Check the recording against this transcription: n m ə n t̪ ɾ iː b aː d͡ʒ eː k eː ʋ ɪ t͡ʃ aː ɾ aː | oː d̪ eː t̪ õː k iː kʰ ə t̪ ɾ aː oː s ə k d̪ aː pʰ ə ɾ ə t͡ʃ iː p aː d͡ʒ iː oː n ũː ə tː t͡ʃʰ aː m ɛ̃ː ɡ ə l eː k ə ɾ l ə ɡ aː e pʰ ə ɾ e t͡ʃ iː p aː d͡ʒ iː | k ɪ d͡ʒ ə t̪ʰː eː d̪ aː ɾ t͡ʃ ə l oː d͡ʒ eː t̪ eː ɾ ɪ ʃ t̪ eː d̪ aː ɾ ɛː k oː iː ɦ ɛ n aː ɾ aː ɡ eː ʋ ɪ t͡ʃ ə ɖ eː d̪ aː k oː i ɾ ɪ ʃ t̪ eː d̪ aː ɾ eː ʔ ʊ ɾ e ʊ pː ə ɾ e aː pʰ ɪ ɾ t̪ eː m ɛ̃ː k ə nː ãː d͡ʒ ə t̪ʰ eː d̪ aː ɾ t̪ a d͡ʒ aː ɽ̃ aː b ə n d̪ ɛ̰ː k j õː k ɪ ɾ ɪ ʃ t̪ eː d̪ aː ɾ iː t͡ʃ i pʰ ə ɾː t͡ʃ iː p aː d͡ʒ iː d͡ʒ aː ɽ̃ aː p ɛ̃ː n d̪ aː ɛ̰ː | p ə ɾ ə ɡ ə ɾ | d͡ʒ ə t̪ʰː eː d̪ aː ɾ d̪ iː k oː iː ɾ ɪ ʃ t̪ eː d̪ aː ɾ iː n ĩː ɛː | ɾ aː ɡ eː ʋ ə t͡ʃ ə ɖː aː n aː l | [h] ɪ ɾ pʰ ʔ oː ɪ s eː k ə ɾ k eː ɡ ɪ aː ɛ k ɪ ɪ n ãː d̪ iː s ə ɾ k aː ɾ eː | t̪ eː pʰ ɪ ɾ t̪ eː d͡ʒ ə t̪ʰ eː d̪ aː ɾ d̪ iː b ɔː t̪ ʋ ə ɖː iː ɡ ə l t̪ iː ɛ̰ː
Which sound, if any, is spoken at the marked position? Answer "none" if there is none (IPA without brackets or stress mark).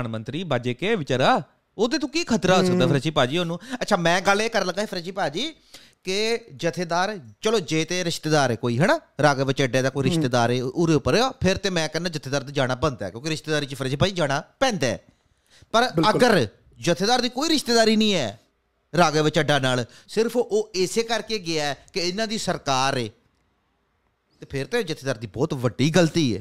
s